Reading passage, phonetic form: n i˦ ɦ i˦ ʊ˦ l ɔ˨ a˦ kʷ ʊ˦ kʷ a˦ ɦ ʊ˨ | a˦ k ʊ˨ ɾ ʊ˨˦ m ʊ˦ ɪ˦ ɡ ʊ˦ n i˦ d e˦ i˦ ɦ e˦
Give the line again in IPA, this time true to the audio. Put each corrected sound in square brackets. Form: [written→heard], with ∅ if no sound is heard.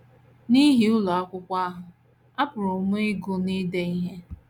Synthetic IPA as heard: n i˦ ɦ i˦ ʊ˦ l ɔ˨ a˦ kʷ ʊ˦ kʷ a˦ ɦ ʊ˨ | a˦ [k→p] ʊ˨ ɾ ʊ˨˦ m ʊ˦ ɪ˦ ɡ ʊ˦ n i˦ d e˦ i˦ ɦ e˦